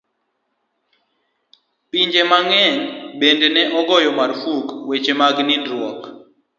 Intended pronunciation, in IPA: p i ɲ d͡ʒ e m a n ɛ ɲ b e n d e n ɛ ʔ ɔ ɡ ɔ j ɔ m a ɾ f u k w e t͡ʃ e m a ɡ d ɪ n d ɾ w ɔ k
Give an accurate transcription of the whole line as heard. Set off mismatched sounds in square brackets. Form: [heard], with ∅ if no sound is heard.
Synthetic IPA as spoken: p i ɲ d͡ʒ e m a [ŋ] ɛ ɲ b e n d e n ɛ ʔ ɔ ɡ ɔ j ɔ m a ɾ f u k w e t͡ʃ e m a ɡ [n] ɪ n d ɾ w ɔ k